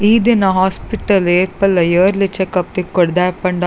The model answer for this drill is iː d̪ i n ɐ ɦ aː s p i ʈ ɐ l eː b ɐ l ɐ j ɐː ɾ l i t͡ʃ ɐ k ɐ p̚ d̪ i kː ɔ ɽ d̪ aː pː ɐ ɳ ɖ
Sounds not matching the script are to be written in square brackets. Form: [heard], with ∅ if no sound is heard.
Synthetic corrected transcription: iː d̪ i n ɐ ɦ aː s p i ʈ ɐ l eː [p] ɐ l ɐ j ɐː ɾ l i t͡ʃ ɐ k ɐ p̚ [t̪] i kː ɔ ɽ d̪ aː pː ɐ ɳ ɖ